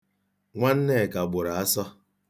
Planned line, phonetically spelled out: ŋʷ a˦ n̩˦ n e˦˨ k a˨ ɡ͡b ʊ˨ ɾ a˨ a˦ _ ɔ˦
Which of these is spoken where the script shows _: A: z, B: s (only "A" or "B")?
B